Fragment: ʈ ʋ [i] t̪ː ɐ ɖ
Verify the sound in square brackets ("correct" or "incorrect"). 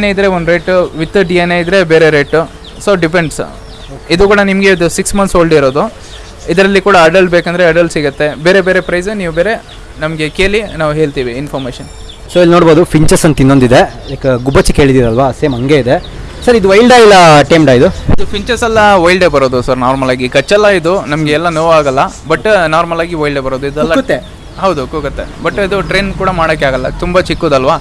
correct